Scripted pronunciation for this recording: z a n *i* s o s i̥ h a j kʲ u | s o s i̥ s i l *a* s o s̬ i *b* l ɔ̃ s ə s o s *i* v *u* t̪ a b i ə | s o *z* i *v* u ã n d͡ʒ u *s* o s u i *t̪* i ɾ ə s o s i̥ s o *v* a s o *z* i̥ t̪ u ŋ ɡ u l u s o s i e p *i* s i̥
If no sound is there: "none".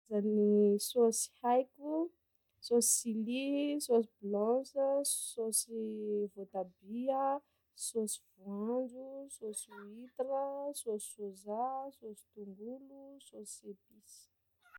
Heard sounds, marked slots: i, i, b, i, o, s, v, s, t̪, z, s, i

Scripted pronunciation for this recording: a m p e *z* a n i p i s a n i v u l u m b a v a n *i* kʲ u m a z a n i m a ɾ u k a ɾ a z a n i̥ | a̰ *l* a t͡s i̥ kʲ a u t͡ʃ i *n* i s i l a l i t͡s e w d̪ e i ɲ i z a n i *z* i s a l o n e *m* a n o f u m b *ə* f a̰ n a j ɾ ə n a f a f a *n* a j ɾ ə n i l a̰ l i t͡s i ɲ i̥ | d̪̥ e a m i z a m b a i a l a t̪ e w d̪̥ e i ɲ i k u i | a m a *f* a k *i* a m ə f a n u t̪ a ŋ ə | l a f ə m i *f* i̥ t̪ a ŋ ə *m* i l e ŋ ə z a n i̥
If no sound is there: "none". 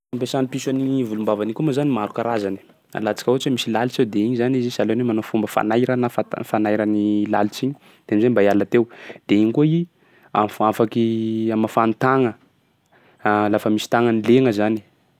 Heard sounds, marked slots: s, i, l, m, z, m, ə, n, f, i, s, n

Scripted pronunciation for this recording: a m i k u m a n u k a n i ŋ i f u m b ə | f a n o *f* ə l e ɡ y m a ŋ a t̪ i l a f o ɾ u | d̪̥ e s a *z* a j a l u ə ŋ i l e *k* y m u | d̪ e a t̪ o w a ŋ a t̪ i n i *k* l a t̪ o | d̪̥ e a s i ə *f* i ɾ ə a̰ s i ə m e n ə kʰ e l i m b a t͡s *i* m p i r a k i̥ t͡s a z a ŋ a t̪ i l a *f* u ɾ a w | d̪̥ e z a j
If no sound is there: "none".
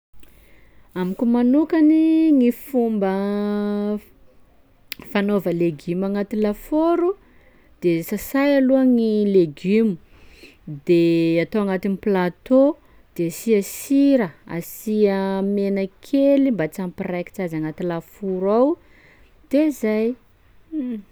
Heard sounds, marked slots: v, s, ɡ, p, s, a, f

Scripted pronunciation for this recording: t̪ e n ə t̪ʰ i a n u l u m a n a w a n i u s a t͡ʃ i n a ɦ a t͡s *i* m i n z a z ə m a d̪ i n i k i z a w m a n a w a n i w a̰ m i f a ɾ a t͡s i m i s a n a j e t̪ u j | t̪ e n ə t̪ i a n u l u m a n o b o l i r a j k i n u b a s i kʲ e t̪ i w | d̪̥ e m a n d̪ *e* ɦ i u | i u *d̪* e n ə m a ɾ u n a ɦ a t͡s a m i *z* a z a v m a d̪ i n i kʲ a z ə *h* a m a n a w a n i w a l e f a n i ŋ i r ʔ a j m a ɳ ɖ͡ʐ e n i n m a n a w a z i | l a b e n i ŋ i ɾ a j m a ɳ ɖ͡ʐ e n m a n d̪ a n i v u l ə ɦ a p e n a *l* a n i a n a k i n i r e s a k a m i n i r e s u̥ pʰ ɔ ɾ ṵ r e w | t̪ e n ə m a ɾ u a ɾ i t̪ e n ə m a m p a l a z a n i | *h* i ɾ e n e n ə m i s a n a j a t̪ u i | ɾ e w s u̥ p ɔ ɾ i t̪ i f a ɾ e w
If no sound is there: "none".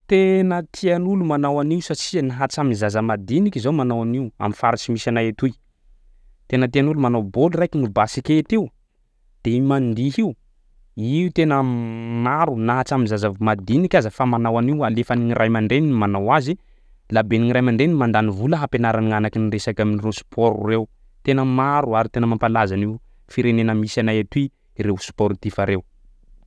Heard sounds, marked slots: a, i, t̪, z, f, ɾ, f

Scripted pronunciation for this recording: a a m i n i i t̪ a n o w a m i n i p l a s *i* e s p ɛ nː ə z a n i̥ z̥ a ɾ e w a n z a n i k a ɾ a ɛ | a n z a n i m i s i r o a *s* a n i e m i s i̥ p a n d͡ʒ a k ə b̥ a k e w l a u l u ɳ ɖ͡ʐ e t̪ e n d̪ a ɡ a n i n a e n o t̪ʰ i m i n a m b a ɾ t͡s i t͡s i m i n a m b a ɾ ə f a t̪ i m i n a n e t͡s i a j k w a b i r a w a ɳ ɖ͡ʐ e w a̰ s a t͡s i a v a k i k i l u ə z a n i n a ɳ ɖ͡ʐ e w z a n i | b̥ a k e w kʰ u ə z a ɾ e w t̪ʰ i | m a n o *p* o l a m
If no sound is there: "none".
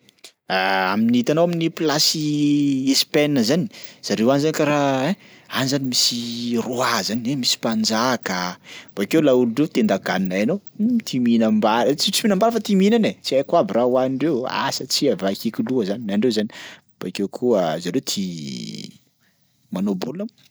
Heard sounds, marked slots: i, z, b

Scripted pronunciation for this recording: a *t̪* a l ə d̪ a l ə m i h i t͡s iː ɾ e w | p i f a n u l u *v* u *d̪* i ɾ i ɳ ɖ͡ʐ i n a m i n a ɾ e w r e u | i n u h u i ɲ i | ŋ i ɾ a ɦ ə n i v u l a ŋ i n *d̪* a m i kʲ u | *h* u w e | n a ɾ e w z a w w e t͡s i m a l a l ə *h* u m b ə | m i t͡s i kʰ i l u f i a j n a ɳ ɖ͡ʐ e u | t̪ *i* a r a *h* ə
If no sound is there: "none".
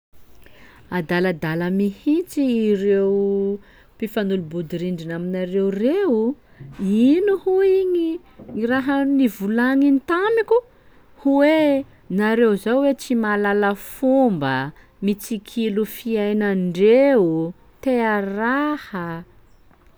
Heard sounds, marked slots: d̪, b, d̪, t̪, h, f, e, h

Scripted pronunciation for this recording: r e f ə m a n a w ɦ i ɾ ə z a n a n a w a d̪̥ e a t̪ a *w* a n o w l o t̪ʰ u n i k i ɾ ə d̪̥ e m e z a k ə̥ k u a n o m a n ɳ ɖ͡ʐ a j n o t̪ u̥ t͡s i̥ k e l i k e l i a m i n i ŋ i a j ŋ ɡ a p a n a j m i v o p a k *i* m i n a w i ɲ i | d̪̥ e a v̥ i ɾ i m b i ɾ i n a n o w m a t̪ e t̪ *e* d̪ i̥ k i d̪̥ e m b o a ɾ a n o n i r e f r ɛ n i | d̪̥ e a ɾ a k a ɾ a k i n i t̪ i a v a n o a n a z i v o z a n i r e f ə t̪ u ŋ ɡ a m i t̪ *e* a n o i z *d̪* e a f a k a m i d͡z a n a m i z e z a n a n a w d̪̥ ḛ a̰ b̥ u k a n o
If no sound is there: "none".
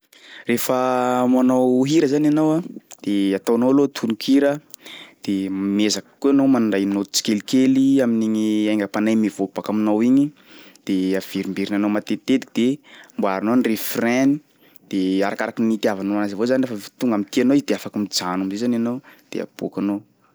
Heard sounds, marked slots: w, a, e, i, d̪

